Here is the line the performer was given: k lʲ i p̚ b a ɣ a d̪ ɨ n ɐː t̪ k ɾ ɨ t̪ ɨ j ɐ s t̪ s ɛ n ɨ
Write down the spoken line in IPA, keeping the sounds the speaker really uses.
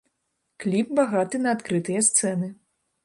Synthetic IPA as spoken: k lʲ i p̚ b a ɣ a t̪ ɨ n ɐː t̪ k ɾ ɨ t̪ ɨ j ɐ s t̪ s ɛ n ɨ